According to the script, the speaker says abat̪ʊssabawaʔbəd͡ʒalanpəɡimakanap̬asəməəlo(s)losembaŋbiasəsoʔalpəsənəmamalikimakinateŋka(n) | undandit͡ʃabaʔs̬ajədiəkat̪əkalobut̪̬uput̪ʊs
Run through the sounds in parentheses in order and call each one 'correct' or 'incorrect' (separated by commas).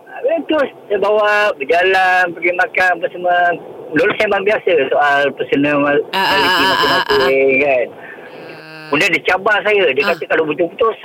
incorrect, correct